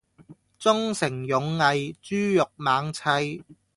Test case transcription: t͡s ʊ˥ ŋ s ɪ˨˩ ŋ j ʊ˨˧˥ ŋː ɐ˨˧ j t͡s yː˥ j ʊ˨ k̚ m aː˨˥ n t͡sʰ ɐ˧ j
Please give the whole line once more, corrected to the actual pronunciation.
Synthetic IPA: t͡s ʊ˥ ŋ s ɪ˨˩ ŋ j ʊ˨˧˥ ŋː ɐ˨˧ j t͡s yː˥ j ʊ˨ k̚ m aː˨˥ ŋ t͡sʰ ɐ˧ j